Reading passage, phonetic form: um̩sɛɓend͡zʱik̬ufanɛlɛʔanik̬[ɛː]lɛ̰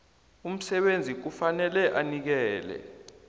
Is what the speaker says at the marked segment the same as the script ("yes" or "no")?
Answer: yes